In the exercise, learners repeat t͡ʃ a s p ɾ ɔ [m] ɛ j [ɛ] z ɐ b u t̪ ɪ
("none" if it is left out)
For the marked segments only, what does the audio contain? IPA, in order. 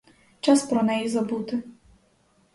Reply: n, i

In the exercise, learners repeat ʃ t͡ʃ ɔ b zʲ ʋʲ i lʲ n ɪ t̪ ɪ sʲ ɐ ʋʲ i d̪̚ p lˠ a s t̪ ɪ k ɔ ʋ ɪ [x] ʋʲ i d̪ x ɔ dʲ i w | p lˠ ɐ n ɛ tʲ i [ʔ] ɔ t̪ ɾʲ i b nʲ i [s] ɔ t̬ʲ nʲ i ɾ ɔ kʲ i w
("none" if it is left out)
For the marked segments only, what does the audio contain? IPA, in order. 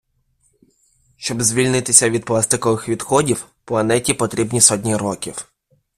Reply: x, p, s

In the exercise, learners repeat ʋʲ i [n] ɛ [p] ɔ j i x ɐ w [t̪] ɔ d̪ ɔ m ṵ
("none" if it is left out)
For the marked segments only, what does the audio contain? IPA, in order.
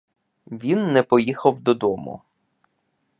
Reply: nː, p, d̪

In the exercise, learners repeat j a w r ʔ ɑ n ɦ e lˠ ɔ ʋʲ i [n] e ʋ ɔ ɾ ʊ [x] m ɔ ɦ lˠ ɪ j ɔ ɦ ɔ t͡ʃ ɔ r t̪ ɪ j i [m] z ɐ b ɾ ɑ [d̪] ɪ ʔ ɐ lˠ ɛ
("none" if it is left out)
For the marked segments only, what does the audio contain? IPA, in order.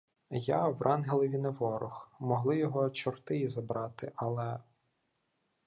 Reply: n, x, none, t̪

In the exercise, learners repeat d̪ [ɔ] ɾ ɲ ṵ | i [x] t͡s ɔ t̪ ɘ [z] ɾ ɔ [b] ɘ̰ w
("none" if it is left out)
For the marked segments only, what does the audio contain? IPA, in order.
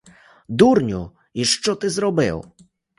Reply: u, ʂ, z, b

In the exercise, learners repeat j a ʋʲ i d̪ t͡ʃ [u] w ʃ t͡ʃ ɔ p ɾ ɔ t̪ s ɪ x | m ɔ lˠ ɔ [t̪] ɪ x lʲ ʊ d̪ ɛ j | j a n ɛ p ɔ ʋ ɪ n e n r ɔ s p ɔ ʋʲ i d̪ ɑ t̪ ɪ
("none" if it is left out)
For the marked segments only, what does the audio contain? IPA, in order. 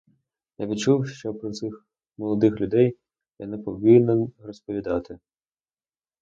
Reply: u, d̪

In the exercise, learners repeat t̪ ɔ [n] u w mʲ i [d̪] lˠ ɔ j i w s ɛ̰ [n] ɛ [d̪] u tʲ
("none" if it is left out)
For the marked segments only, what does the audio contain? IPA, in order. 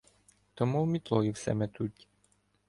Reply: m, t̪, m, t̪

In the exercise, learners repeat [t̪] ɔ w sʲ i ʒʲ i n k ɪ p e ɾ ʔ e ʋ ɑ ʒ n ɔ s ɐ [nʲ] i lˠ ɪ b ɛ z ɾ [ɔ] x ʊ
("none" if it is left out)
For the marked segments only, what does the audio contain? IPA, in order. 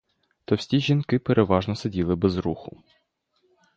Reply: t̪, dʲ, u

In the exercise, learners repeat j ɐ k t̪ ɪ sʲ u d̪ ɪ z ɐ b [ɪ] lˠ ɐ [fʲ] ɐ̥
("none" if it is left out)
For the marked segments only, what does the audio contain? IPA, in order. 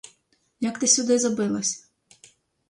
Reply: ɪ, sʲ

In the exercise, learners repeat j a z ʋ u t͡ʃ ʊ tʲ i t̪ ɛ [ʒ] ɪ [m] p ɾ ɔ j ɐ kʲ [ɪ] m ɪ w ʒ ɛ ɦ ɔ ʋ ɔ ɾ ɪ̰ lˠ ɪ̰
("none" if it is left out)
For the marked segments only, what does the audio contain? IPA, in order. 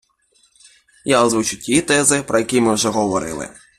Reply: z, none, i

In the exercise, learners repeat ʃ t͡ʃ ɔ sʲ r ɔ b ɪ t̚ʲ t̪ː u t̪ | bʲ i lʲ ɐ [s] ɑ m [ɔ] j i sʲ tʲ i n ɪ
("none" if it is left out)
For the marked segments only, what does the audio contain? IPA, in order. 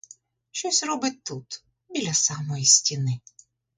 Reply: s, ɔ

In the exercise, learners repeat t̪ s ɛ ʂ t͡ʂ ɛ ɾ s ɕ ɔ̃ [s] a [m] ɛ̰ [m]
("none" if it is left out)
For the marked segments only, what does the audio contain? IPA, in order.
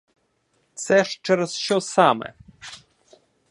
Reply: s, m, none

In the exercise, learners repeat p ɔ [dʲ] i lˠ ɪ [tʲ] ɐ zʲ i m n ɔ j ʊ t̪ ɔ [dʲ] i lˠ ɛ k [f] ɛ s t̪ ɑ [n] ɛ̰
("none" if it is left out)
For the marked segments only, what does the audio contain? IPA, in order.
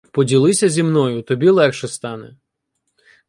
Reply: dʲ, sʲ, bʲ, ʃ, n

